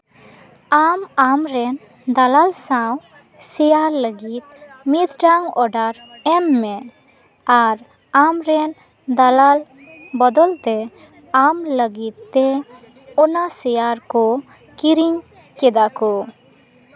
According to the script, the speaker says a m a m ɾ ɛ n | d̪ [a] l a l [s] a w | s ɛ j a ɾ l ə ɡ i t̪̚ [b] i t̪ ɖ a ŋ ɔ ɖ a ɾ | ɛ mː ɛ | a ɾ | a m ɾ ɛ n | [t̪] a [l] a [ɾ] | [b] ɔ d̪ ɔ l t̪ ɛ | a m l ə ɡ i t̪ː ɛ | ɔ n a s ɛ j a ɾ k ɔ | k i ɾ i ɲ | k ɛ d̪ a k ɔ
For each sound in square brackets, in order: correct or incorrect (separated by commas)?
correct, correct, incorrect, incorrect, correct, incorrect, correct